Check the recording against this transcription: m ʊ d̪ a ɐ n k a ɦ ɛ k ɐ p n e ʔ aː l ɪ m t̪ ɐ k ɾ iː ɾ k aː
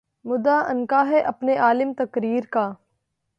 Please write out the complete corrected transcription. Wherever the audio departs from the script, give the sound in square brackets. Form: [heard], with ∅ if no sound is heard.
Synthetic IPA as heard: m ʊ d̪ a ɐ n k a ɦ ɛ [ʔ] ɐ p n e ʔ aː l ɪ m t̪ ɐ k ɾ iː ɾ k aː

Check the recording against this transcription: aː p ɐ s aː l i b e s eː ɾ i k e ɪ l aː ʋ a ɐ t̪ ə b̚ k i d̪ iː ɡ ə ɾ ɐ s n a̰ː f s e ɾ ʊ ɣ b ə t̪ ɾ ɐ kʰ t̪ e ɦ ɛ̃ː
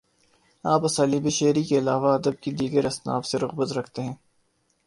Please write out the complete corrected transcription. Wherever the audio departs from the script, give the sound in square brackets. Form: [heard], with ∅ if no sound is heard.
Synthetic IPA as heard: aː p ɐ s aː l i b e [ʃ] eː ɾ i k e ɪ l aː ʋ a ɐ [d̪] ə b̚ k i d̪ iː ɡ ə ɾ ɐ s n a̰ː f s e ɾ ʊ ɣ b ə t̪ ɾ ɐ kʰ t̪ e ɦ ɛ̃ː

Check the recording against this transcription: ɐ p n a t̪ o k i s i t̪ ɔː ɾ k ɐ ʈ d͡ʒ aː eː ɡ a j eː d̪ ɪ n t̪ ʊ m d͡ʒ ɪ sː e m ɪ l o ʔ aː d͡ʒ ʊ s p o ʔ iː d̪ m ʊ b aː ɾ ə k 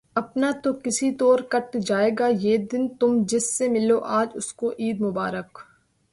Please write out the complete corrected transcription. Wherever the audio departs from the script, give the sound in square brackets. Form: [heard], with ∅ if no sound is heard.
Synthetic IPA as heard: ɐ p n a t̪ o k [ɪ] s i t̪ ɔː ɾ k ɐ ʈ d͡ʒ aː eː ɡ a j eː d̪ ɪ n t̪ ʊ m d͡ʒ ɪ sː e m ɪ l o ʔ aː d͡ʒ ʊ s [k] o ʔ iː d̪ m ʊ b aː ɾ ə k

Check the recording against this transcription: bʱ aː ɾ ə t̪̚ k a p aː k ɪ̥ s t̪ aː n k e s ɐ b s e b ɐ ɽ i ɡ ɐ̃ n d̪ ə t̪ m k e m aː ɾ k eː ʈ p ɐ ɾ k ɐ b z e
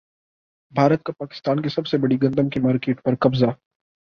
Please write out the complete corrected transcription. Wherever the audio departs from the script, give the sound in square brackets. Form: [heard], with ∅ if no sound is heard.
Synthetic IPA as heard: bʱ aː ɾ ə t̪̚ k a p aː k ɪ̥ s t̪ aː n k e s ɐ b s e b ɐ ɽ i ɡ ɐ̃ n d̪ ə [∅] m k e m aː ɾ k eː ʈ p ɐ ɾ k ɐ b z [a]

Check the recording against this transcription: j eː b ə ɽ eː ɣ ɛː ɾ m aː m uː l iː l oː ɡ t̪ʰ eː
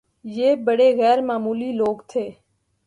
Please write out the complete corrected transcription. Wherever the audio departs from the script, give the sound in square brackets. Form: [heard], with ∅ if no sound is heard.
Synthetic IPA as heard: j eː b ə ɽ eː ɣ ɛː ɾ m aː m uː l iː l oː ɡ t̪ʰ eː

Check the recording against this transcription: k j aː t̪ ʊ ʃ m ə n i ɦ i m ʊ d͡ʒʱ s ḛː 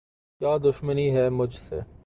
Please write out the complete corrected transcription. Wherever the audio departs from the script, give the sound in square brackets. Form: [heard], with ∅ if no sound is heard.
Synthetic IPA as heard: k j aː [d̪] ʊ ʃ m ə n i ɦ [ɛ] m ʊ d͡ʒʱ s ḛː

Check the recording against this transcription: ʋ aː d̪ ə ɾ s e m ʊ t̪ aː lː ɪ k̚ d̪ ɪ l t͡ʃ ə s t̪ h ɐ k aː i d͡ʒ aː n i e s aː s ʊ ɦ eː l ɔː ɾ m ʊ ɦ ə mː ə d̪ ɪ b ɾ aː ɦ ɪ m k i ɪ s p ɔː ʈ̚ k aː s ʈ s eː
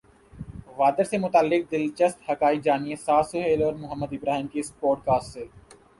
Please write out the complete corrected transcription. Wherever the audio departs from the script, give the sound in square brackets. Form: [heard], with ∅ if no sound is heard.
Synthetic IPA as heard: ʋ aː d̪ ə ɾ s e m ʊ t̪ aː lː ɪ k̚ d̪ ɪ l t͡ʃ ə s t̪ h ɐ k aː i d͡ʒ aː n i e s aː s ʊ ɦ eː l ɔː ɾ m ʊ ɦ ə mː ə d̪ ɪ b ɾ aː ɦ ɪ m k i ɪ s p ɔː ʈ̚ k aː s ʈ s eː

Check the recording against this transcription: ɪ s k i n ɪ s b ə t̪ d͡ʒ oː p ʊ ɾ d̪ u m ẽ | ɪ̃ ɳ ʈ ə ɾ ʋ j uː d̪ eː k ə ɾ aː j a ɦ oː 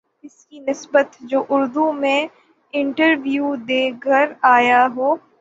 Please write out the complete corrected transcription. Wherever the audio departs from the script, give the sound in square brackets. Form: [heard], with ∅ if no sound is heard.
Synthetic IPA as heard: ɪ s k i n ɪ s b ə t̪ d͡ʒ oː [ʔ] ʊ ɾ d̪ u m ẽ | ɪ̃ ɳ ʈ ə ɾ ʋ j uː d̪ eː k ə ɾ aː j a ɦ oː

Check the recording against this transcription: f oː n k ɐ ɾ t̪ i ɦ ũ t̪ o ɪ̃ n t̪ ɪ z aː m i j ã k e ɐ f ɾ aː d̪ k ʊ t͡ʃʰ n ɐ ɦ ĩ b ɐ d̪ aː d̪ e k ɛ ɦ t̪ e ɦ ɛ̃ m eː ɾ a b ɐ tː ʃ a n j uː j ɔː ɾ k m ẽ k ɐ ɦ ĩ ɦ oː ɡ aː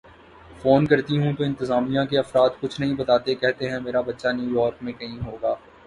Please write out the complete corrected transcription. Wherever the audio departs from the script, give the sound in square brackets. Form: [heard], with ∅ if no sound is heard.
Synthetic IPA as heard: f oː n k ɐ ɾ t̪ i ɦ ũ t̪ o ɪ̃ n t̪ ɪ z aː m i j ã k e ɐ f ɾ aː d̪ k ʊ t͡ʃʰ n ɐ ɦ ĩ b ɐ [t̪] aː [t̪] e k ɛ ɦ t̪ e ɦ ɛ̃ m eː ɾ a b ɐ tː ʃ a n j uː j ɔː ɾ k m ẽ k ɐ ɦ ĩ ɦ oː ɡ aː

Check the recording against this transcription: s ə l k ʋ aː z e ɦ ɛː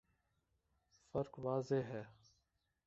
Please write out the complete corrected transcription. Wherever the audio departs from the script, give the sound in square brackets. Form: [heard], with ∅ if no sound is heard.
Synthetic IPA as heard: [f] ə [ɾ] k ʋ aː z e ɦ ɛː

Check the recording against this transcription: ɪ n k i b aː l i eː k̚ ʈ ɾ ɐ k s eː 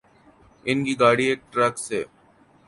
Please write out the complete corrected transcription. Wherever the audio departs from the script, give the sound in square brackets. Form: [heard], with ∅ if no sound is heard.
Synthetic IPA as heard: ɪ n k i [ɡ] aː [ɽ] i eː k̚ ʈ ɾ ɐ k s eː

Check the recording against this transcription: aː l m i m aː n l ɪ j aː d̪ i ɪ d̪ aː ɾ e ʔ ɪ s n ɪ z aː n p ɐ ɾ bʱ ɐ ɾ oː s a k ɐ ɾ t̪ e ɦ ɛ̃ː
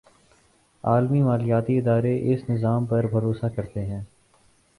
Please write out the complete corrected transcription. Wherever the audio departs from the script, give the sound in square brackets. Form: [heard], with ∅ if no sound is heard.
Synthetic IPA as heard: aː l m i m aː [∅] l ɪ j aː [t̪] i ɪ d̪ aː ɾ e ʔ ɪ s n ɪ z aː [m] p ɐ ɾ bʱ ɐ ɾ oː s a k ɐ ɾ t̪ e ɦ ɛ̃ː

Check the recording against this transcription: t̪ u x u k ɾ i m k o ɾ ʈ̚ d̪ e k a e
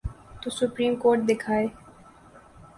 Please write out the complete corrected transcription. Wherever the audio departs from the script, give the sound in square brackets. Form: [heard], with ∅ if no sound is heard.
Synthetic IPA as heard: t̪ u [s] u [p] ɾ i m k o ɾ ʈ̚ d̪ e [kʰ] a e

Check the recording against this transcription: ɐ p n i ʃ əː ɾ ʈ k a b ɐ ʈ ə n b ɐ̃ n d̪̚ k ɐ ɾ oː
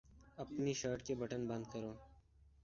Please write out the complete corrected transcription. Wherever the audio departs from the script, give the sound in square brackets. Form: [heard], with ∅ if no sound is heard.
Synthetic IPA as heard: ɐ p n i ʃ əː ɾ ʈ k [e] b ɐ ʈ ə n b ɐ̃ n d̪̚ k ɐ ɾ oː

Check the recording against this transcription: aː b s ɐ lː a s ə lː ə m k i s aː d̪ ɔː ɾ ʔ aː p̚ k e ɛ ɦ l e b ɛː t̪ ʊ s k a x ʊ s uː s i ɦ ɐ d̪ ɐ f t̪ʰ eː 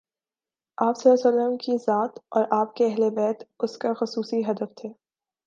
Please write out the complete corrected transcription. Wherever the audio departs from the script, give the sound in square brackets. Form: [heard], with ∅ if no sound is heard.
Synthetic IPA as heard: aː [p] s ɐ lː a s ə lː ə m k i [z] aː [t̪] ɔː ɾ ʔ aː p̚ k e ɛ ɦ l e b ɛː t̪ ʊ s k a x ʊ s uː s i ɦ ɐ d̪ [ə] f t̪ʰ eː

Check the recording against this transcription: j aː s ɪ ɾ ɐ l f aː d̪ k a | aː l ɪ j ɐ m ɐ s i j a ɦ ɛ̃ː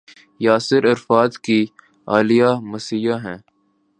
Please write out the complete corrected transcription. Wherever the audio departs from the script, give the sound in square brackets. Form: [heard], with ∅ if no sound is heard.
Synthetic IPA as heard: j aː s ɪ ɾ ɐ [ɾ] f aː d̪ k [i] | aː l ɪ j [a] m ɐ s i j a ɦ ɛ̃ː

